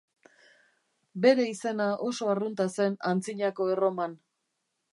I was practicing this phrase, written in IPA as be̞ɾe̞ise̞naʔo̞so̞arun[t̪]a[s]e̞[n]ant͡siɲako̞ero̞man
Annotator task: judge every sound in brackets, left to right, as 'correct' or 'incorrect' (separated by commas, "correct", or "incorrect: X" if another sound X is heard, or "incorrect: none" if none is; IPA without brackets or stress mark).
correct, correct, correct